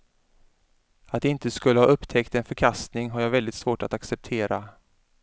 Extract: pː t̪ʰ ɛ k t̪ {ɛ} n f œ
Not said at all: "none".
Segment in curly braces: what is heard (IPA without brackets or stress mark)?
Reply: ɛ